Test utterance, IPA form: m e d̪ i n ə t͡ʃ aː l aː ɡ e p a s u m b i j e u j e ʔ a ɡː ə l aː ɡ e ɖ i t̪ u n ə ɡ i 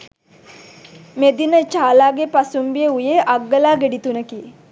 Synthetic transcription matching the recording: m e d̪ i n ə t͡ʃ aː l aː ɡ e p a s u m b i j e u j e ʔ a ɡː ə l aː ɡ e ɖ i t̪ u n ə k i